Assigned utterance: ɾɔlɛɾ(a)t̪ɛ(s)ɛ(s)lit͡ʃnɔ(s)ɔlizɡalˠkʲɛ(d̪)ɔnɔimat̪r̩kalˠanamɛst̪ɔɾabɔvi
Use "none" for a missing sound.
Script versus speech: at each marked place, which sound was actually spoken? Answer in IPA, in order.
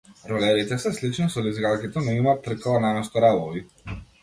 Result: i, s, s, s, t̪

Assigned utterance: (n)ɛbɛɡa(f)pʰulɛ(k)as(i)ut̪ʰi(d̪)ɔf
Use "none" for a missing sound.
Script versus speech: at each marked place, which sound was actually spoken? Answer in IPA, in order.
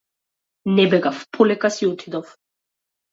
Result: n, f, k, i, d̪

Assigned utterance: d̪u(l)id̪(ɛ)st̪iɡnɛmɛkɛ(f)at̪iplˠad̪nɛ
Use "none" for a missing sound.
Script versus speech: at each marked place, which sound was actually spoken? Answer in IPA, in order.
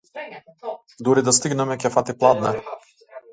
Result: ɾ, a, f

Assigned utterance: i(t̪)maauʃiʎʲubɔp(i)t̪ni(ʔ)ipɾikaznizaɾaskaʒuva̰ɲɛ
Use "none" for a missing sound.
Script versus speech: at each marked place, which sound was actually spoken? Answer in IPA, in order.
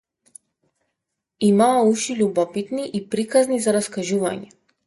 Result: none, i, ʔ

